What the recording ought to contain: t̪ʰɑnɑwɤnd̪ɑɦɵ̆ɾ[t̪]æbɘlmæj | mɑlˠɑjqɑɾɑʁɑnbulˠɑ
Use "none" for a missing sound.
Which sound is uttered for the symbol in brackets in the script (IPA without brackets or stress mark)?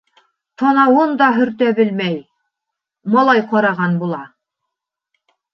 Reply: t̪